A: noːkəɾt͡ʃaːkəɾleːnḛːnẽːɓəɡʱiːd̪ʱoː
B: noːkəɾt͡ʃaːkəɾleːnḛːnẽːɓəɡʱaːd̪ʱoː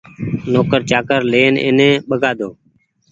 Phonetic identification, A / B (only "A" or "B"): B